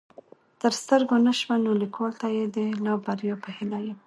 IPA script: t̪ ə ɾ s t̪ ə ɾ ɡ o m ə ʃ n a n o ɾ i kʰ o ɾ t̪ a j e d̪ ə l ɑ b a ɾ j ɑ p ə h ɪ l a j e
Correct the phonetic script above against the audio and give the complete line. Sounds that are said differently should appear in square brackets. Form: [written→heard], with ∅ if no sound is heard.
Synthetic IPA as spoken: t̪ ə ɾ s t̪ ə ɾ ɡ o [m→n] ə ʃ [n→m] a n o [ɾ→l] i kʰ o [ɾ→l] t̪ a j e d̪ ə l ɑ b a ɾ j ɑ p ə h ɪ l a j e